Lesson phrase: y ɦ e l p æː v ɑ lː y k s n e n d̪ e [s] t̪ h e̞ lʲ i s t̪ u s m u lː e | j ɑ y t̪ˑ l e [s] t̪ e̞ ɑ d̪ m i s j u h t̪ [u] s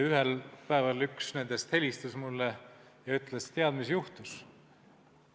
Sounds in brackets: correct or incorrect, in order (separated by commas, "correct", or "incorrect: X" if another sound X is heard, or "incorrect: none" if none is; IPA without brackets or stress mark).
correct, correct, correct